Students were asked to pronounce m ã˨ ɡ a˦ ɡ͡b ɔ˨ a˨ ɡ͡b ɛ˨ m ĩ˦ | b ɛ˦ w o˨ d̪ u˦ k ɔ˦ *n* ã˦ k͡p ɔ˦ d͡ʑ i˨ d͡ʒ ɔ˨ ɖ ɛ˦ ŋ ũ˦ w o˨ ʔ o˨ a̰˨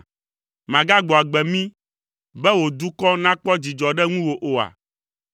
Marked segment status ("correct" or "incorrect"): correct